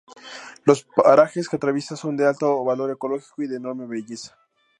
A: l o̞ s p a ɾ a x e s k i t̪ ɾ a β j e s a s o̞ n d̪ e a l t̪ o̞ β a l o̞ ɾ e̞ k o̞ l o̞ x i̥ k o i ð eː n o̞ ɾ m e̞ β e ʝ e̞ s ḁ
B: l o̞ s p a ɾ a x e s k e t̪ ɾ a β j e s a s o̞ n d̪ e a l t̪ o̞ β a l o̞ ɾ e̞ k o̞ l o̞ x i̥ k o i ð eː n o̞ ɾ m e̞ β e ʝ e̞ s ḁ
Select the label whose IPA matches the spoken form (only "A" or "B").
B